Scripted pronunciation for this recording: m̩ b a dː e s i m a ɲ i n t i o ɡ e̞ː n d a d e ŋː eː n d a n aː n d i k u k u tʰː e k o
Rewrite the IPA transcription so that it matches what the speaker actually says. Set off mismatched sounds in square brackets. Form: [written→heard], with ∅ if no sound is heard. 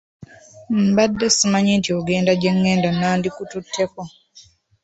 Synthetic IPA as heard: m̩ b a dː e s i m a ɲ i n t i o ɡ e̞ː n d a [d→ɟ] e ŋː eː n d a n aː n d i k u [k→t] u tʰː e k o